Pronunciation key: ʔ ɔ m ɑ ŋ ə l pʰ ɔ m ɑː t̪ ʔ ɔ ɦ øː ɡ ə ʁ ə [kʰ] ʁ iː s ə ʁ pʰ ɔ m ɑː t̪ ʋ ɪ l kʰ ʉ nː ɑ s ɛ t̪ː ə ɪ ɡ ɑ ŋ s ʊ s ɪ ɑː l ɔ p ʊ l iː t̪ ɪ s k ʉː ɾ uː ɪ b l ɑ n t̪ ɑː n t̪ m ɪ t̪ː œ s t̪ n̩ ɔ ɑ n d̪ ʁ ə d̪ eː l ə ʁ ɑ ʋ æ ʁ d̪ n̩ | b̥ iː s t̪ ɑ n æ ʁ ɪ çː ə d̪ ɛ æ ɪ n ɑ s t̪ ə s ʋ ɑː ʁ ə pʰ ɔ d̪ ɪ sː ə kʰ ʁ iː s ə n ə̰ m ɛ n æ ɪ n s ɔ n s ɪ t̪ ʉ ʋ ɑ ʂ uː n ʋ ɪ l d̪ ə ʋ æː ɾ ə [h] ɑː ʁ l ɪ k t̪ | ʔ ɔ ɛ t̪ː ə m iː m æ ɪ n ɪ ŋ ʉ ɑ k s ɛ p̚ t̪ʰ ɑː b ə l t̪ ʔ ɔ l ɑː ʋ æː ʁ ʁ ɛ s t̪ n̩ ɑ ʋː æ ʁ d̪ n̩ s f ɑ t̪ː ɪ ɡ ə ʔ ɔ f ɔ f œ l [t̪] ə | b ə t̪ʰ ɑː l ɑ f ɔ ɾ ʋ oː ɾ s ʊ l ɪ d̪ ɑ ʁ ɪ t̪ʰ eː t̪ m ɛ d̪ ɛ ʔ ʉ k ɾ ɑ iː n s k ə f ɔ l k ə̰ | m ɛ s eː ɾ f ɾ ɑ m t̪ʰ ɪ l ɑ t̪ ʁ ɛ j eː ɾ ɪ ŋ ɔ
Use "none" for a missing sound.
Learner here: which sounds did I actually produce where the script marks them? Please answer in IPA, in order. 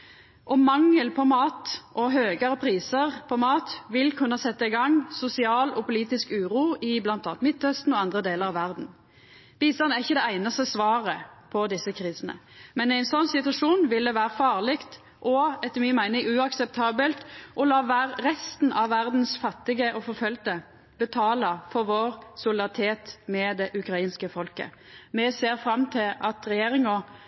pʰ, f, t̪

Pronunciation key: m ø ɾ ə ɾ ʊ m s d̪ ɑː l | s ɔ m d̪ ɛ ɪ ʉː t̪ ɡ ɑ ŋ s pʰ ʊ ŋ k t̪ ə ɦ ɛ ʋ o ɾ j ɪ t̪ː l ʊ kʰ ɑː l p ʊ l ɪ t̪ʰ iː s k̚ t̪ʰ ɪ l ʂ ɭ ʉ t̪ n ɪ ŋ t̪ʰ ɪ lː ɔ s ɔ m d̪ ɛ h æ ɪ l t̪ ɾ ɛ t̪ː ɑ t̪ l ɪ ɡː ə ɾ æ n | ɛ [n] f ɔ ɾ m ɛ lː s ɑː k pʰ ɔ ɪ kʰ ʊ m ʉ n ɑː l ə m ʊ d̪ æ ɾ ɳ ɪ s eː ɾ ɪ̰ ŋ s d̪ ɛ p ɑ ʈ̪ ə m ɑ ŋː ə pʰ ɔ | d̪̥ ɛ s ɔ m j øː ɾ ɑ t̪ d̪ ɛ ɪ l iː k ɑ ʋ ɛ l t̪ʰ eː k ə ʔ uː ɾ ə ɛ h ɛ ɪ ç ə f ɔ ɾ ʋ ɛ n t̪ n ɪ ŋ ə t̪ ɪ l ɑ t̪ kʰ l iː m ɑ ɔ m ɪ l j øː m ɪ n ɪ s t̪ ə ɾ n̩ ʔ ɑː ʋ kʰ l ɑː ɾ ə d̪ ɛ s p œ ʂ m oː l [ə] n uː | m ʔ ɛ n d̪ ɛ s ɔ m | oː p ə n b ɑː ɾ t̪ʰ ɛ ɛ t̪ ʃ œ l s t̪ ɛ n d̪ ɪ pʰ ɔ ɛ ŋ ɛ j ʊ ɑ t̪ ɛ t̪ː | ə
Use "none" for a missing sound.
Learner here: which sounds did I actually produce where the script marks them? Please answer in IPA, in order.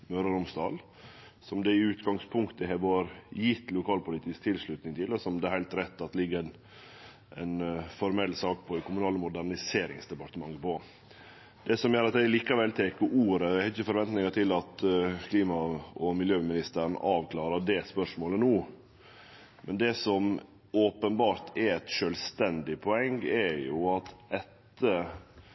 n, ə

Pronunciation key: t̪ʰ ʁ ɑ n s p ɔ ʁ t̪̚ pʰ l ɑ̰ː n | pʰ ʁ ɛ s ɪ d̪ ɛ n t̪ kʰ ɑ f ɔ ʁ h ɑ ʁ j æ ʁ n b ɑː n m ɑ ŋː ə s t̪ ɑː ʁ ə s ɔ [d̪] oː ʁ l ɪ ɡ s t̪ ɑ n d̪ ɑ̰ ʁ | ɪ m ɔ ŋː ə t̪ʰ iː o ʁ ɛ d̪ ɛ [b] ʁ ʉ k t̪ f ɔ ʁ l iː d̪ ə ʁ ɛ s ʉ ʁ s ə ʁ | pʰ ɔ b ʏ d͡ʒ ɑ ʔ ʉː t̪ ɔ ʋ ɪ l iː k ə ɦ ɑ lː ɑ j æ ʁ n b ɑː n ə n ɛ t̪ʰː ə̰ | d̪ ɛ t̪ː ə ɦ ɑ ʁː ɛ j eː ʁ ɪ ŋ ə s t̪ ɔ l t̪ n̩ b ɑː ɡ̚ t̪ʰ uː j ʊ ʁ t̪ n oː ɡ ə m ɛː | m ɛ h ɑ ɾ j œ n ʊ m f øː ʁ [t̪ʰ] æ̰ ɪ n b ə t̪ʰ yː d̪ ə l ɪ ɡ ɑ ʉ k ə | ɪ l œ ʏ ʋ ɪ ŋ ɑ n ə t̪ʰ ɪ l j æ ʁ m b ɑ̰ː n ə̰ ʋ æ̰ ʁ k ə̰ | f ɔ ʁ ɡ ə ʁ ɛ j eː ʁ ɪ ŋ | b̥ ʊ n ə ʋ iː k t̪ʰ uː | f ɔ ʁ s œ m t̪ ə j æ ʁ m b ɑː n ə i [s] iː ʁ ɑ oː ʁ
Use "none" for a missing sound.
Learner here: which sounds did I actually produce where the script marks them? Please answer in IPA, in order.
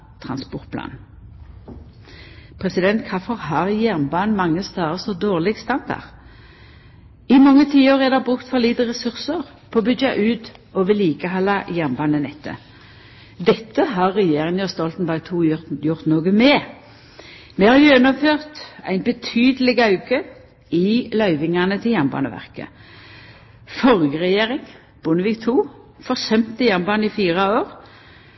d̪, b, t̪, f

